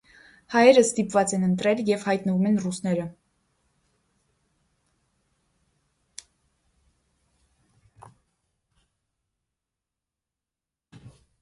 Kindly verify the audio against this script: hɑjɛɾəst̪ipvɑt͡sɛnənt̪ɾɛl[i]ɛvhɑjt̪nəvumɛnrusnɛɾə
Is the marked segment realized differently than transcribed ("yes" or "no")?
yes